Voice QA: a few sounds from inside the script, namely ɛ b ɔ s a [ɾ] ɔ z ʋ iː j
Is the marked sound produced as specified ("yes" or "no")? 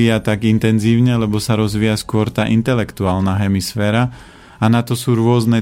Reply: yes